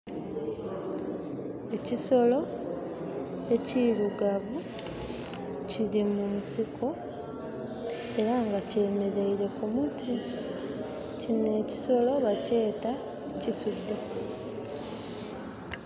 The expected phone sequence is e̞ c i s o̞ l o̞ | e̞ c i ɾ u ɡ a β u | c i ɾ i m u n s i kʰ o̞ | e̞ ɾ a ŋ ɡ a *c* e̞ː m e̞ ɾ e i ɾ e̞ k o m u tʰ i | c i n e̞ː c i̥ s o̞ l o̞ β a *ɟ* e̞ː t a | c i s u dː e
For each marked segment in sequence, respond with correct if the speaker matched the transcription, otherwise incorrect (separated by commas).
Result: correct, incorrect